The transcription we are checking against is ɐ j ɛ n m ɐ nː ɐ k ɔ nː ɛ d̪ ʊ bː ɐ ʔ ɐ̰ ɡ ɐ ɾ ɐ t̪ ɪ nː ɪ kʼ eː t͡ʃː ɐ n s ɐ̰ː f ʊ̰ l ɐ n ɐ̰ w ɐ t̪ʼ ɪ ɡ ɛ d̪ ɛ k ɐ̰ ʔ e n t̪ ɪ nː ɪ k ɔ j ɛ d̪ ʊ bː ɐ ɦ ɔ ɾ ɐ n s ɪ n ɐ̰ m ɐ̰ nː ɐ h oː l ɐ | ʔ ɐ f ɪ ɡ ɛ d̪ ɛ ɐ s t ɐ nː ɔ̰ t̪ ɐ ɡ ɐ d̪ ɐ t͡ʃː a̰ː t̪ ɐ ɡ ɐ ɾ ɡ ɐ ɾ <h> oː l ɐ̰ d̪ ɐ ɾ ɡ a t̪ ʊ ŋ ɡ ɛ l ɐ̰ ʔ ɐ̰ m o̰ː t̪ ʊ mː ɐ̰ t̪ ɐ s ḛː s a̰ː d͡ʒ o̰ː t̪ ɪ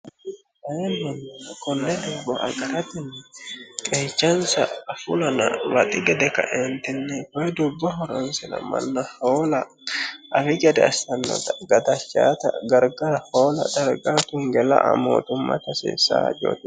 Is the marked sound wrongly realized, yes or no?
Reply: no